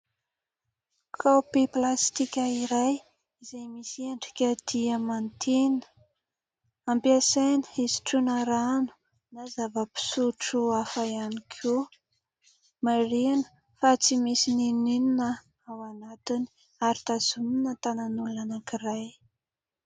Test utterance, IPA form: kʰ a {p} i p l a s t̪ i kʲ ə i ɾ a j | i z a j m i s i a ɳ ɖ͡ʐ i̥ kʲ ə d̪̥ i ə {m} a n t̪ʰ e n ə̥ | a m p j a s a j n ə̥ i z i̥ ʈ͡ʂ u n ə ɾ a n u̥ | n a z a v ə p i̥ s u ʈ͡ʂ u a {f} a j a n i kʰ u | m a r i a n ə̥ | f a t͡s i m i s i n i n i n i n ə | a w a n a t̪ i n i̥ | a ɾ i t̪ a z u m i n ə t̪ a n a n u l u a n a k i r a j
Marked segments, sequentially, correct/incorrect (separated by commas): correct, correct, correct